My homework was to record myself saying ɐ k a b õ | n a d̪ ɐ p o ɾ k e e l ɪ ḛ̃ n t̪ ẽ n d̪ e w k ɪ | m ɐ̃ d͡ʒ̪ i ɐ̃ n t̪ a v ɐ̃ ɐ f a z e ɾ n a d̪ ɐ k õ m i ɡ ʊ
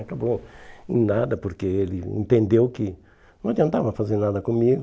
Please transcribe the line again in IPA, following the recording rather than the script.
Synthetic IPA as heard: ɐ k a b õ | n a d̪ ɐ p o ɾ k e e l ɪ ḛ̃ n t̪ ẽ n d̪ e w k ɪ | n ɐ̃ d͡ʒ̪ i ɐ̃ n t̪ a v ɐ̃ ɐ f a z e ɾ n a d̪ ɐ k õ m i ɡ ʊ